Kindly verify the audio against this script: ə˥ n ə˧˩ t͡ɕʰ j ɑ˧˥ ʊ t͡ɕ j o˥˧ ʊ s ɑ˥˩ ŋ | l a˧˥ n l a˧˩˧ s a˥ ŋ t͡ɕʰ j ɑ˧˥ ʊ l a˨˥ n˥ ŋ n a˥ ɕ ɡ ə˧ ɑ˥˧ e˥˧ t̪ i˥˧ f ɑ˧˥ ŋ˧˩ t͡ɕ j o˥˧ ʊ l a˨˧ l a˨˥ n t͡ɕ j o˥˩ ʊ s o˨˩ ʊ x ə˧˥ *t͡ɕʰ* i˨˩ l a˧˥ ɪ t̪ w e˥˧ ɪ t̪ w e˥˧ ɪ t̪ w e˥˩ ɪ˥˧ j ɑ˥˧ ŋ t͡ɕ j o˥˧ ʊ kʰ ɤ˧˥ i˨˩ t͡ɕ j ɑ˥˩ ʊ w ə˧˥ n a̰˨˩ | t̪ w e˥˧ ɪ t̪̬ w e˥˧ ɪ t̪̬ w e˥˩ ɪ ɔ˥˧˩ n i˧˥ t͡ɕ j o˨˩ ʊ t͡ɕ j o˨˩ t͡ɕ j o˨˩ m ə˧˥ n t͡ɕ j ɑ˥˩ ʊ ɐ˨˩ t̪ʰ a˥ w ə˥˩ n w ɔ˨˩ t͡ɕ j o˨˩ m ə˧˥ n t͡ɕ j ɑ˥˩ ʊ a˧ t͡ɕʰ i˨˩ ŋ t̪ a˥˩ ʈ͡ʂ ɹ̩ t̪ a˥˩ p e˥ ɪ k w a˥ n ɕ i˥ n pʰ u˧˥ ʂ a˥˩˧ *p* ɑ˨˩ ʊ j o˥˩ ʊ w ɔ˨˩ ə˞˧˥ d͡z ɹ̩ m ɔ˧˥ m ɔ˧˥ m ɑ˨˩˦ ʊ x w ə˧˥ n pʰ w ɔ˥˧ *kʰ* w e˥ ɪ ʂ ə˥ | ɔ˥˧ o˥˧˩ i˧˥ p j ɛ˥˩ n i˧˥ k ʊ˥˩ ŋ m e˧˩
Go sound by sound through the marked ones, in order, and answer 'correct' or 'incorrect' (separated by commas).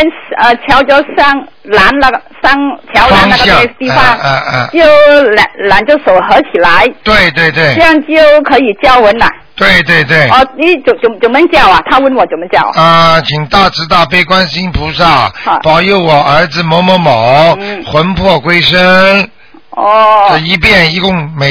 correct, correct, incorrect